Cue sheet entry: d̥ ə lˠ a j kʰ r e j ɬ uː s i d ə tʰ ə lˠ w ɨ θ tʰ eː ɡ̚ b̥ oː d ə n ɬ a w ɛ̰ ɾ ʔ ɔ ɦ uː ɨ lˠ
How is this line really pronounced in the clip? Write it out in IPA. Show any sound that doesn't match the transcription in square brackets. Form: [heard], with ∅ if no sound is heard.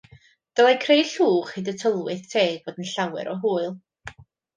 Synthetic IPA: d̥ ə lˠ a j kʰ r e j ɬ uː [χ] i d ə tʰ ə lˠ w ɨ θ tʰ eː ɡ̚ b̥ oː d ə n ɬ a w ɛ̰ ɾ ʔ ɔ ɦ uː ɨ lˠ